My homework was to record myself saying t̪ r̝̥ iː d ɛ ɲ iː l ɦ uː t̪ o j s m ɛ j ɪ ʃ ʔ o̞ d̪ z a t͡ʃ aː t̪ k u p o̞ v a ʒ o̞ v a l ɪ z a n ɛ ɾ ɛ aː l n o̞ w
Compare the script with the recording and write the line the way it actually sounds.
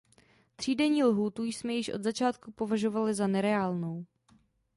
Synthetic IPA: t̪ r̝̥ iː d ɛ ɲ iː l ɦ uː t̪ u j s m ɛ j ɪ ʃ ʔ o̞ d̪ z a t͡ʃ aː t̪ k u p o̞ v a ʒ o̞ v a l ɪ z a n ɛ ɾ ɛ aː l n o̞ w